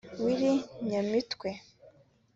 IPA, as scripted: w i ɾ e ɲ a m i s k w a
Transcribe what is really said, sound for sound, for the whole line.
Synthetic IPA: w i ɾ i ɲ a m i t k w e